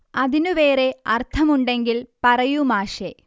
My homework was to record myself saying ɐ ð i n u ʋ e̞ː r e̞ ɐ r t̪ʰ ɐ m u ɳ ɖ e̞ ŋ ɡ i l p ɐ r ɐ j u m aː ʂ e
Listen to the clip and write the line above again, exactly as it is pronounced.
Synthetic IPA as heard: ɐ ð i n u ʋ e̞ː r e̞ ɐ r t̪ʰ ɐ m u ɳ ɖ e̞ ŋ ɡ i l p ɐ r ɐ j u m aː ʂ e

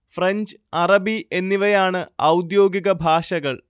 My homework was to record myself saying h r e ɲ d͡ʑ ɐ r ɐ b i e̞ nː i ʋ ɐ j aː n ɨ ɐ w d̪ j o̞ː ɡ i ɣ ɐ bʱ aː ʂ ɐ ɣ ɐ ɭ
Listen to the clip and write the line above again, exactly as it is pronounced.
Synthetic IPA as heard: f r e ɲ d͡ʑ ɐ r ɐ b i e̞ nː i ʋ ɐ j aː ɳ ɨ ɐ w d̪ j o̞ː ɡ i ɣ ɐ bʱ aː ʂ ɐ ɣ ɐ ɭ

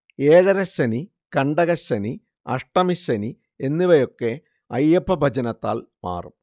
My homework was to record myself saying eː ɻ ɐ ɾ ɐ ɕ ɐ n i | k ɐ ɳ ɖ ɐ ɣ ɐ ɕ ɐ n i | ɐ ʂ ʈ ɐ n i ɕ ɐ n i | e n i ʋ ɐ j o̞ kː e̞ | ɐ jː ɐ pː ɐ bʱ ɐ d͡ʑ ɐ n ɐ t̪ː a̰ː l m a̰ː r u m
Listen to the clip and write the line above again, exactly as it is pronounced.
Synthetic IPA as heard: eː ɻ ɐ ɾ ɐ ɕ ɐ n i | k ɐ ɳ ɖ ɐ ɣ ɐ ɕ ɐ n i | ɐ ʂ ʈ ɐ m i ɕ ɐ n i | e nː i ʋ ɐ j o̞ kː e̞ | ɐ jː ɐ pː ɐ bʱ ɐ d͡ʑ ɐ n ɐ t̪ː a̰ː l m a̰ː r u m

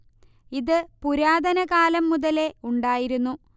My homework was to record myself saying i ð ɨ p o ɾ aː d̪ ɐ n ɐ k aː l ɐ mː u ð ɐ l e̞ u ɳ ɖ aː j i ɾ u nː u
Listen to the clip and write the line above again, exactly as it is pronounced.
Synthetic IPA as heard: i ð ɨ p u ɾ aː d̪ ɐ n ɐ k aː l ɐ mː u ð ɐ l e̞ u ɳ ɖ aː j i ɾ u nː u

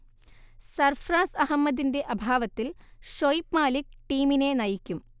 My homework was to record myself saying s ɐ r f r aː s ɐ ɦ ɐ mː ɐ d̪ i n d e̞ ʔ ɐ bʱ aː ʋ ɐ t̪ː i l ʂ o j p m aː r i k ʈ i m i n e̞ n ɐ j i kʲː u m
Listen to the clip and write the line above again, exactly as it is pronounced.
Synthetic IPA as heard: s ɐ r f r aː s ɐ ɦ ɐ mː ɐ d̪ i n d e̞ ʔ ɐ bʱ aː ʋ ɐ t̪ː i l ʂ o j p m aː l i k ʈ iː m i n e̞ n ɐ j i kʲː u m

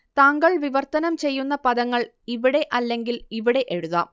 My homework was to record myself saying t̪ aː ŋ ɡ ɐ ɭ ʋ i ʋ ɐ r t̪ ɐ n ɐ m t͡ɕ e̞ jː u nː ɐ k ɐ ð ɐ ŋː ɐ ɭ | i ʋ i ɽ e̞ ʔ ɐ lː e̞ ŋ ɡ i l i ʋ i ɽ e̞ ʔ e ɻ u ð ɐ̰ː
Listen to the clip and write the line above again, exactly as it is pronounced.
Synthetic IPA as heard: t̪ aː ŋ ɡ ɐ ɭ ʋ i ʋ ɐ r t̪ ɐ n ɐ m t͡ɕ e̞ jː u nː ɐ p ɐ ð ɐ ŋː ɐ ɭ | i ʋ i ɽ e̞ ʔ ɐ lː e̞ ŋ ɡ i l i ʋ i ɽ e̞ ʔ e ɻ u ð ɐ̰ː

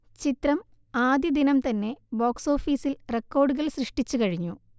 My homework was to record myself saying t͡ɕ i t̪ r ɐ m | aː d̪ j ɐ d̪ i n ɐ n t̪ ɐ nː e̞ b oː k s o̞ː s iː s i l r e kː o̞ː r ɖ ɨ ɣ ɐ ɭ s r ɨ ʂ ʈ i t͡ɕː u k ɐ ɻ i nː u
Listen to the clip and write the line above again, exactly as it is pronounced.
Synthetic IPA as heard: t͡ɕ i t̪ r ɐ m | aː d̪ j ɐ d̪ i n ɐ m t̪ ɐ nː e̞ b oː k s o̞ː f iː s i l r e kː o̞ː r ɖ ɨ ɣ ɐ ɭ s r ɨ ʂ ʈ i t͡ɕː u k ɐ ɻ i ɲː u

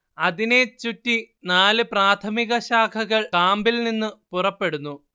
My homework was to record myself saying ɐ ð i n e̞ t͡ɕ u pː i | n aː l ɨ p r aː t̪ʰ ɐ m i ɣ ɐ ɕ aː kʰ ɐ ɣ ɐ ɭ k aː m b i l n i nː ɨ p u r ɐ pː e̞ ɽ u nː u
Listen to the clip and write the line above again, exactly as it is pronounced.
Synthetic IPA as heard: ɐ ð i n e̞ t͡ɕ u tː i | n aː l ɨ p r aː t̪ʰ ɐ m i ɣ ɐ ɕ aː kʰ ɐ ɣ ɐ ɭ k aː m b i l n i nː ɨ p u r ɐ pː e̞ ɽ u nː u

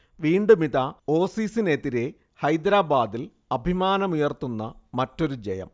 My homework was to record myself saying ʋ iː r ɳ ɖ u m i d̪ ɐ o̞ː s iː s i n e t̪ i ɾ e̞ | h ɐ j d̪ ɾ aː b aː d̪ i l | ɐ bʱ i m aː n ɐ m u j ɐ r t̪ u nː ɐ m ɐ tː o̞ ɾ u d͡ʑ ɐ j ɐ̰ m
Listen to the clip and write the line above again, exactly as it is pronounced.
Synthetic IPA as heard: ʋ iː ɳ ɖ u m i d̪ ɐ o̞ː s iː s i n e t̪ i ɾ e̞ | h ɐ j d̪ ɾ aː b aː d̪ i l | ɐ bʱ i m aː n ɐ m u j ɐ r t̪ u nː ɐ m ɐ tː o̞ ɾ u d͡ʑ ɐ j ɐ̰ m

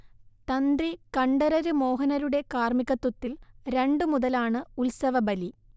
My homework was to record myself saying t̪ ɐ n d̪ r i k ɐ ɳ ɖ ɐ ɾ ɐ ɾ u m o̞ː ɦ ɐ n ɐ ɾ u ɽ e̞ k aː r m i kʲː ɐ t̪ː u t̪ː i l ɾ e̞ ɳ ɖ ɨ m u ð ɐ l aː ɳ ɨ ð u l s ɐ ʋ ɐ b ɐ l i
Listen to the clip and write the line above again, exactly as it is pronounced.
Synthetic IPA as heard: t̪ ɐ n d̪ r i k ɐ ɳ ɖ ɐ ɾ ɐ ɾ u m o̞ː ɦ ɐ n ɐ ɾ u ɽ e̞ k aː r m i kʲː ɐ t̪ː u t̪ː i l ɾ e̞ ɳ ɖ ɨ m u ð ɐ l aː ɳ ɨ u l s ɐ ʋ ɐ b ɐ l i

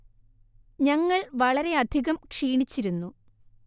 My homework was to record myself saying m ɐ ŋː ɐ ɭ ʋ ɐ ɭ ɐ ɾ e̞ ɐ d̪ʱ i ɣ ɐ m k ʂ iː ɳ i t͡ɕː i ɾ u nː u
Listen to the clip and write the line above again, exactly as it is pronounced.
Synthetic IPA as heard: ɲ ɐ ŋː ɐ ɭ ʋ ɐ ɭ ɐ ɾ e̞ ɐ d̪ʱ i ɣ ɐ m k ʂ iː ɳ i t͡ɕː i ɾ u nː u

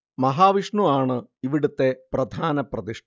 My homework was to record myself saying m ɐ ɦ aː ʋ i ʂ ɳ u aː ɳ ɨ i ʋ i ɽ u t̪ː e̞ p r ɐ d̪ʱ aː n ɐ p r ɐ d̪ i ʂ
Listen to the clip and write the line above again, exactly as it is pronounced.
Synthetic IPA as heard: m ɐ ɦ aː ʋ i ʂ ɳ u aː ɳ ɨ i ʋ i ɽ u t̪ː e̞ p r ɐ d̪ʱ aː n ɐ p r ɐ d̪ i ʂ

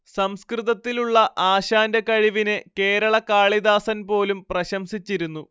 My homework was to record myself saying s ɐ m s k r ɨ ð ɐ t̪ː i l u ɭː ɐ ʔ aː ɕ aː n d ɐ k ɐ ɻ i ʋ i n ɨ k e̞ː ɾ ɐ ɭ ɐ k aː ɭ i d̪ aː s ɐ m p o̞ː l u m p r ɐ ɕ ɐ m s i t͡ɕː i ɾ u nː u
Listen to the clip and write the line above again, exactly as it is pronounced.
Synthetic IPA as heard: s ɐ m s k r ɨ ð ɐ t̪ː i l u ɭː ɐ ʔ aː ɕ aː n d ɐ k ɐ ɻ i ʋ i n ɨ k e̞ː ɾ ɐ ɭ ɐ k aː ɭ i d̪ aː s ɐ n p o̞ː l u m p r ɐ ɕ ɐ m s i t͡ɕː i ɾ u nː u

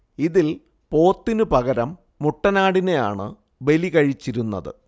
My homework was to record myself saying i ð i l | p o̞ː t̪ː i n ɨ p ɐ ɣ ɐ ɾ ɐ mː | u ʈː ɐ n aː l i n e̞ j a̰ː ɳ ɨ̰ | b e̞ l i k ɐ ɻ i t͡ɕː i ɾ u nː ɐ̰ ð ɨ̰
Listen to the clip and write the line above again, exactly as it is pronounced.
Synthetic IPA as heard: i ð i l | p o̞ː t̪ː i n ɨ p ɐ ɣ ɐ ɾ ɐ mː | u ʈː ɐ n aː ɽ i n e̞ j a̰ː ɳ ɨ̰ | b e̞ l i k ɐ ɻ i t͡ɕː i ɾ u nː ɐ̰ ð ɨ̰

